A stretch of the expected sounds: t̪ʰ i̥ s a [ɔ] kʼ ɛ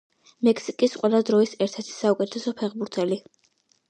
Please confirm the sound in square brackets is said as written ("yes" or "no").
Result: no